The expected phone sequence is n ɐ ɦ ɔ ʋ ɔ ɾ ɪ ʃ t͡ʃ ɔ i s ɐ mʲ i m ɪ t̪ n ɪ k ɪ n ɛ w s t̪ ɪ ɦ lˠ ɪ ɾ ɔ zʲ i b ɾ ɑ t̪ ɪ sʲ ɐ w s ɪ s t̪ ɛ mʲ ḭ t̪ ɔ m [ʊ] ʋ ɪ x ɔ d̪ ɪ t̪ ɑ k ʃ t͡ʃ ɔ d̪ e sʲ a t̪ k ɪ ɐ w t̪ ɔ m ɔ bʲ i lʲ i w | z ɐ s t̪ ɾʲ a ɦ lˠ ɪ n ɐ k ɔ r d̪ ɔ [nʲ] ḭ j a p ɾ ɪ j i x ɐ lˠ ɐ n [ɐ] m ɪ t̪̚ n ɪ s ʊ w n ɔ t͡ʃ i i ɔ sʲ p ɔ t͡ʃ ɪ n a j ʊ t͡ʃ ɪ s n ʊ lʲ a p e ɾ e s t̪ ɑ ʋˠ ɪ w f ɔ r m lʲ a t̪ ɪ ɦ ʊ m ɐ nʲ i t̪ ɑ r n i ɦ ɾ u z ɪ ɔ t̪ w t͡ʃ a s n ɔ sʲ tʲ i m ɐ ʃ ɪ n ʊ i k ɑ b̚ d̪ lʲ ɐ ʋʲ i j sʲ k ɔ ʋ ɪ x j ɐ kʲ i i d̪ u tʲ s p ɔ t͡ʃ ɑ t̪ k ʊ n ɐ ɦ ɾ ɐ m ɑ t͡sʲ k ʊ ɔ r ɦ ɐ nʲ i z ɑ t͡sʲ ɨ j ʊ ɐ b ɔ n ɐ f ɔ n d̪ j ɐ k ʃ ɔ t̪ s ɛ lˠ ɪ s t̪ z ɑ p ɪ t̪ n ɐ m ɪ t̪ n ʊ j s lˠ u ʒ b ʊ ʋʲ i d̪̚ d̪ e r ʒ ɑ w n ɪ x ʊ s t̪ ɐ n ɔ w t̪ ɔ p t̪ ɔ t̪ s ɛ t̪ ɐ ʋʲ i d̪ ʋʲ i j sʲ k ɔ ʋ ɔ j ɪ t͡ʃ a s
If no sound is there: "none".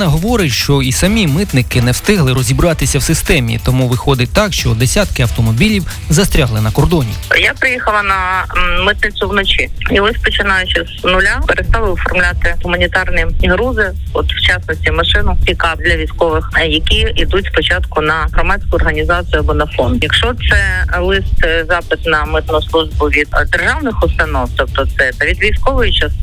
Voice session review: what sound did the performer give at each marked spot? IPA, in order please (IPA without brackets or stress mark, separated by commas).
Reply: u, nʲ, ɐ